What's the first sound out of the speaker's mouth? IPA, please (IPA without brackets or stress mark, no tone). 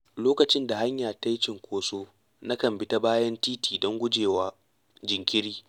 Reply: l